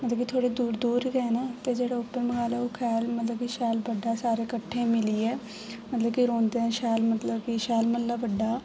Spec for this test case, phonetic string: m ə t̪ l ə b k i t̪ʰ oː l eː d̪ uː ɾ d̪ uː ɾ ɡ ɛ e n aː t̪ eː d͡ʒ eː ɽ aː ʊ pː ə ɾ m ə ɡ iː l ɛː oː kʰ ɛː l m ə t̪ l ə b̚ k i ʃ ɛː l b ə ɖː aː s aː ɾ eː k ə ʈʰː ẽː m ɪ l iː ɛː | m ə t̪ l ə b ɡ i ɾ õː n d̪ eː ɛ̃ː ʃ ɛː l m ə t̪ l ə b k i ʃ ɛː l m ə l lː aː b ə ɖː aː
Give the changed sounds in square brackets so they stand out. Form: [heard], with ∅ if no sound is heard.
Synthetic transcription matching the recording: m ə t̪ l ə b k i t̪ʰ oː [ɽ] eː d̪ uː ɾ d̪ uː ɾ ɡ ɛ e n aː t̪ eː d͡ʒ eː ɽ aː ʊ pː ə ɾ m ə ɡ [aː] l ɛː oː kʰ ɛː l m ə t̪ l ə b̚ k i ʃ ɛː l b ə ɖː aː s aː ɾ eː k ə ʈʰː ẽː m ɪ l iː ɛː | m ə t̪ l ə b [k] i ɾ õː n d̪ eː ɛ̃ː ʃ ɛː l m ə t̪ l ə b k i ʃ ɛː l m ə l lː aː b ə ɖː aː